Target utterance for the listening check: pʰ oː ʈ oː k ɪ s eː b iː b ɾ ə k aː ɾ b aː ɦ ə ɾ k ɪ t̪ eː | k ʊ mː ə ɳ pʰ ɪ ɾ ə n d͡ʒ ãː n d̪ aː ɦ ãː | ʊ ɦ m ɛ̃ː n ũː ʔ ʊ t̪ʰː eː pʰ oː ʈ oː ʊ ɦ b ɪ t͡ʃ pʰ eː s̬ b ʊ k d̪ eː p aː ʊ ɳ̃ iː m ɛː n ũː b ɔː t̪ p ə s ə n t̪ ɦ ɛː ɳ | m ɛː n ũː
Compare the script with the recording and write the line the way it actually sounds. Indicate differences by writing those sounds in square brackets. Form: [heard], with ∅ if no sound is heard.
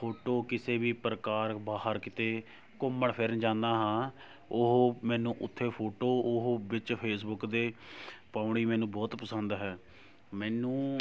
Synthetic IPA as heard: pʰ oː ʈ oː k ɪ s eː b iː [p] ɾ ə k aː ɾ b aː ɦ ə ɾ k ɪ t̪ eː | k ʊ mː ə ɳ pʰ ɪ ɾ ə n d͡ʒ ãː n d̪ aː ɦ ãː | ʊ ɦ m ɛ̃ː n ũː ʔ ʊ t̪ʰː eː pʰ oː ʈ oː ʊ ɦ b ɪ t͡ʃ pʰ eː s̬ b ʊ k d̪ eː p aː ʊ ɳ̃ iː m ɛː n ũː b ɔː t̪ p ə s ə n [d̪] ɦ ɛː [∅] | m ɛː n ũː